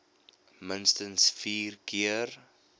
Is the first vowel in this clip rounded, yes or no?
no